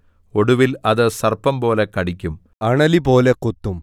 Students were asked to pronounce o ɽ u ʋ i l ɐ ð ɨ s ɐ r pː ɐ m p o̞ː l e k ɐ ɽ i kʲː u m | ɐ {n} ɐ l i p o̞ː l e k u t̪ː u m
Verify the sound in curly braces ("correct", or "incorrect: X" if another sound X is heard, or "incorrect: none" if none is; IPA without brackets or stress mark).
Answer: incorrect: ɳ